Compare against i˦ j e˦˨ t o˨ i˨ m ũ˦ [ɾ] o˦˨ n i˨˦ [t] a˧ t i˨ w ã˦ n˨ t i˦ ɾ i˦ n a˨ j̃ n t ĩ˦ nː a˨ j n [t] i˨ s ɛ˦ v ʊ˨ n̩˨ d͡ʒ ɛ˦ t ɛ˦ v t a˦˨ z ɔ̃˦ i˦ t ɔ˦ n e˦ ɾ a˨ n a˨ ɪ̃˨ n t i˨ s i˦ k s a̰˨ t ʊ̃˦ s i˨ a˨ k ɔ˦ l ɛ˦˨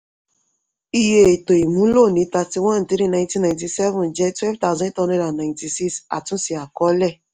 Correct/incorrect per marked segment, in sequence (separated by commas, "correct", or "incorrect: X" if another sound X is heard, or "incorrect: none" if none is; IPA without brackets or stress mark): incorrect: l, correct, correct